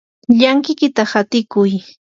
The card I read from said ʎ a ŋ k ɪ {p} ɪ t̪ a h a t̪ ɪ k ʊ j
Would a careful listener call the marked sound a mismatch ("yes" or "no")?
yes